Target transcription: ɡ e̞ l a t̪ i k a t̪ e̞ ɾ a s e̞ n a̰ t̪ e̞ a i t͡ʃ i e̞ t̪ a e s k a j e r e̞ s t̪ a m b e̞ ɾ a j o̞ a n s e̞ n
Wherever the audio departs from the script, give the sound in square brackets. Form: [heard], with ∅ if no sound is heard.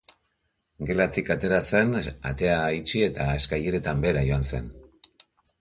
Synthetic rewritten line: ɡ e̞ l a t̪ i k a t̪ e̞ ɾ a s e̞ n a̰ t̪ e̞ a i t͡ʃ i e̞ t̪ a e s k a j e [ɾ] e̞ [∅] t̪ a m b e̞ ɾ a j o̞ a n s e̞ n